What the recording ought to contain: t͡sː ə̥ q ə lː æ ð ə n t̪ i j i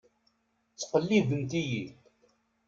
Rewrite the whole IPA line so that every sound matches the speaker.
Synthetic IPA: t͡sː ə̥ q ə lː i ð ə n t̪ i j i